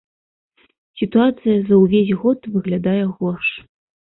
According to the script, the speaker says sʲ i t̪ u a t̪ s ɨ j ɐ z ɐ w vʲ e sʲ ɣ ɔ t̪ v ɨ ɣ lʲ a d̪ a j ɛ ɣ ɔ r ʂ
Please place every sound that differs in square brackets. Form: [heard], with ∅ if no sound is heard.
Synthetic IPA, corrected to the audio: sʲ i t̪ u a t̪ s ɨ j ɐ z ɐ w vʲ e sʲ ɣ ɔ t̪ v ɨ ɣ lʲ a d̪ a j ɛ ɣ ɔ r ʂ